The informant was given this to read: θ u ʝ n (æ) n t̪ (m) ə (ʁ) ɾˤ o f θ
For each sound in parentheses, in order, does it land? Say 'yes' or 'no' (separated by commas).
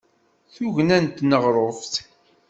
yes, no, yes